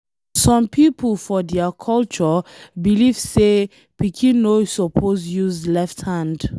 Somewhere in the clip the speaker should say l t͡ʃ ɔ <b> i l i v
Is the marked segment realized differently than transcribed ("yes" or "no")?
no